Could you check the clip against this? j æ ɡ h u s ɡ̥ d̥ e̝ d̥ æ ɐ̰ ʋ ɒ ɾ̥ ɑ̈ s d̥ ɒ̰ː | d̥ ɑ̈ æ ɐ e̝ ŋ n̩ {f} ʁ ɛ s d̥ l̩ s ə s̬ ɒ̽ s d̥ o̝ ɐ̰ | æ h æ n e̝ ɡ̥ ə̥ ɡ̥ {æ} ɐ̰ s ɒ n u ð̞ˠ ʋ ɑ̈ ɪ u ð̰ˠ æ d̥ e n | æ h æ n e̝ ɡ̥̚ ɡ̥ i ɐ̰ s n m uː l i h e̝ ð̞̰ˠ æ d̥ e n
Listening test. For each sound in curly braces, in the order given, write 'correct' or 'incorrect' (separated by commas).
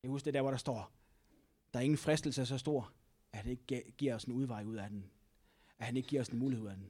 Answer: correct, incorrect